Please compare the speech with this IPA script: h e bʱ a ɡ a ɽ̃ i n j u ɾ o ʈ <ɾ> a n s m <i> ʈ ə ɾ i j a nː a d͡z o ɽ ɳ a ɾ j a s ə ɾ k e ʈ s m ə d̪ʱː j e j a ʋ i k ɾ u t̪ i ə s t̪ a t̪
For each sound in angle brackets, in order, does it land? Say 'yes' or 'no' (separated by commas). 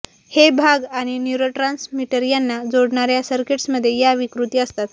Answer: yes, yes